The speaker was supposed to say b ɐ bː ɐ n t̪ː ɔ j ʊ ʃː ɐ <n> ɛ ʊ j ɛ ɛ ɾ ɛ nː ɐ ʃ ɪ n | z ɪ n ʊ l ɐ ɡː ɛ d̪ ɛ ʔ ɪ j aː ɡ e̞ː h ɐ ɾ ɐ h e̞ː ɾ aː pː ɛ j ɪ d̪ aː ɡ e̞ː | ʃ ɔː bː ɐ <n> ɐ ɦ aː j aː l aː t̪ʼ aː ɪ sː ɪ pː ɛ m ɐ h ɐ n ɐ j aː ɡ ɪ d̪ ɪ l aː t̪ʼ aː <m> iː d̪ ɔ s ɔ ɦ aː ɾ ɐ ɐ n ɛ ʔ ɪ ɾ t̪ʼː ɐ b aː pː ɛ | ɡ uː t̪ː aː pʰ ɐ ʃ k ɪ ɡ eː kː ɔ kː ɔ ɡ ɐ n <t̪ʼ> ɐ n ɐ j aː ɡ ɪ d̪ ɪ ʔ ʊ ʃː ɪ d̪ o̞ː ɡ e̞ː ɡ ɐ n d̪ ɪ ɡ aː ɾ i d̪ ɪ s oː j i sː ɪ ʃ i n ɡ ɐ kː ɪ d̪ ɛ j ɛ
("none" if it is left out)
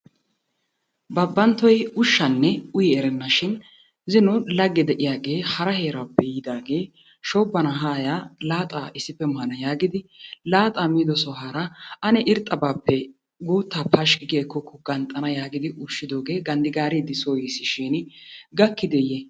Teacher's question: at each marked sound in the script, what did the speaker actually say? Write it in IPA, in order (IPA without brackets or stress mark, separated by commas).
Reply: nː, n, m, t̪ʼ